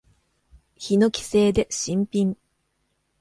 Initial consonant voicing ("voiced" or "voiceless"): voiceless